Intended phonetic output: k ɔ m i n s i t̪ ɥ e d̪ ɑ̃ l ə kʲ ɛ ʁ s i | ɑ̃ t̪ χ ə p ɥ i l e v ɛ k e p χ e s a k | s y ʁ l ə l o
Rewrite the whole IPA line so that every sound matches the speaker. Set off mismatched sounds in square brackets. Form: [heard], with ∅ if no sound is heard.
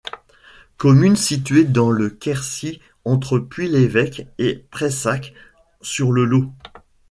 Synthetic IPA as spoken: k ɔ m [y] n s i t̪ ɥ e d̪ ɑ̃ l ə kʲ ɛ ʁ s i | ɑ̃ t̪ χ ə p ɥ i l e v ɛ k e p χ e s a k | s y ʁ l ə l o